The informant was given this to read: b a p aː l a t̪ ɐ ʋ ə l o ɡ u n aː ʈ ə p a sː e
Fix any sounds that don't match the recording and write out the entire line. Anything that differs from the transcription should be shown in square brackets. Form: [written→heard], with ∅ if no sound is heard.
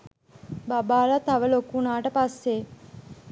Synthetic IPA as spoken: b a [p→b] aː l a t̪ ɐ ʋ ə l o [ɡ→k] u n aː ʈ ə p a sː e